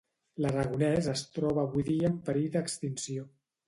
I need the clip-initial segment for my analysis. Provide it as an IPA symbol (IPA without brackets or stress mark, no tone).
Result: l